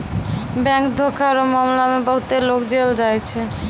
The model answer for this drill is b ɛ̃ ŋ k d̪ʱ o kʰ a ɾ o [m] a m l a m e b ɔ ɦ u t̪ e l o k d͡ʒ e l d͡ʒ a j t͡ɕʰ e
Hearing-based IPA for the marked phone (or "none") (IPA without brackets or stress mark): m